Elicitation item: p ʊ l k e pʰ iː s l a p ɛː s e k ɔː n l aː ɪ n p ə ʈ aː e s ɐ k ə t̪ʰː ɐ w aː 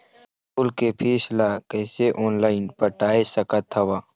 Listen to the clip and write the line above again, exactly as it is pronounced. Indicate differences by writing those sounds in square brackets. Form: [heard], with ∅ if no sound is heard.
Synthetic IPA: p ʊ l k e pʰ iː s l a [k] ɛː s e [ʔ] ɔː n l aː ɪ n p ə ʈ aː e s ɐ k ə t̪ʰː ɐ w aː